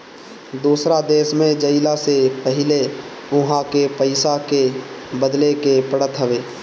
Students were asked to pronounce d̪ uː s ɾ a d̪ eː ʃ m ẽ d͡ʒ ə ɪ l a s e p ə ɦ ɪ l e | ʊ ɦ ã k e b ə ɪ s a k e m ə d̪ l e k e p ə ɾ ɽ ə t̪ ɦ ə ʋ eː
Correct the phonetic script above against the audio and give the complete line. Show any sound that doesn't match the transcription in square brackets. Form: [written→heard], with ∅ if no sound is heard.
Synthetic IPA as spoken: d̪ uː s ɾ a d̪ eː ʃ m ẽ d͡ʒ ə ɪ l a s e p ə ɦ ɪ l e | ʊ ɦ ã k e [b→p] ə ɪ s a k e [m→b] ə d̪ l e k e p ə [ɾ→∅] ɽ ə t̪ ɦ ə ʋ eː